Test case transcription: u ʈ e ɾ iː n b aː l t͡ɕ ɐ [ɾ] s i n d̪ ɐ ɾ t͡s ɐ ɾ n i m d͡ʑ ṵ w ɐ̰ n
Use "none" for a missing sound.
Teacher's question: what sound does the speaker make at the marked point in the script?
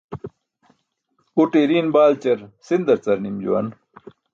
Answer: ɾ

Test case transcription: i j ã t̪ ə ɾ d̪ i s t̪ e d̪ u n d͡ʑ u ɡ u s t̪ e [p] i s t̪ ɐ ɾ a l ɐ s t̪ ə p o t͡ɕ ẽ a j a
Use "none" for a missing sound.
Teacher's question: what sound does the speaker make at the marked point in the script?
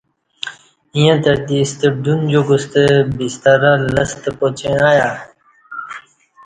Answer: b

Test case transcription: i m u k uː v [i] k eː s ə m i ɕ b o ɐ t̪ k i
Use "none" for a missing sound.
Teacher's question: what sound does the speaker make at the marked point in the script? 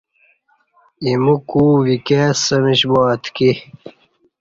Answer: i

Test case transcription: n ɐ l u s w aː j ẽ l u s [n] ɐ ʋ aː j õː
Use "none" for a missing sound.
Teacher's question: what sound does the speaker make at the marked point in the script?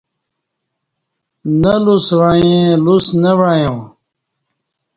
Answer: n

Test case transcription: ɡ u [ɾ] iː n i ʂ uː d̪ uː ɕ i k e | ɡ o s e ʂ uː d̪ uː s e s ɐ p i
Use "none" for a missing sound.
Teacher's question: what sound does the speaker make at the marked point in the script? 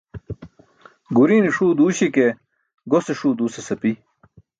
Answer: ɾ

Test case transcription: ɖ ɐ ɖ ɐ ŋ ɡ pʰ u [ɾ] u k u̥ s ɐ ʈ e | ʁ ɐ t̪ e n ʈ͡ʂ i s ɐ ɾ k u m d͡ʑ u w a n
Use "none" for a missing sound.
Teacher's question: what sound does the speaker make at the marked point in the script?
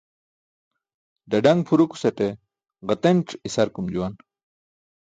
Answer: ɾ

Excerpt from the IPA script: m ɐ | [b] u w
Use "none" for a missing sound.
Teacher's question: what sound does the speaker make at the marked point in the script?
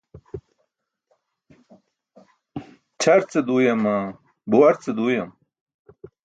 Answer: b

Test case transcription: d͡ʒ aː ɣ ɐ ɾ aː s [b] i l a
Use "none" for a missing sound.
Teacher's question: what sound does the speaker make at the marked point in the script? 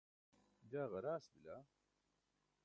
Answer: b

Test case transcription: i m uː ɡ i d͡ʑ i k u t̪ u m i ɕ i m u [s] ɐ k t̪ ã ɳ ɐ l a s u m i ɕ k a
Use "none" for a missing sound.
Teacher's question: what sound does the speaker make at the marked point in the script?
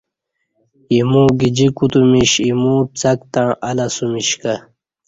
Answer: t͡s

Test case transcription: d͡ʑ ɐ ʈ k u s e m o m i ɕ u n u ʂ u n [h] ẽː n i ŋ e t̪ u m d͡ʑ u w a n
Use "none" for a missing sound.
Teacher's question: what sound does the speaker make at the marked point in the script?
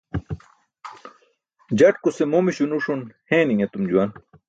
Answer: h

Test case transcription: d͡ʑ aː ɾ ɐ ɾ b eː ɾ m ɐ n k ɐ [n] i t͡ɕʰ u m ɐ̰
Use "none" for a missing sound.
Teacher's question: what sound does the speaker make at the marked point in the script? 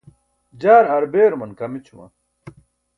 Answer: m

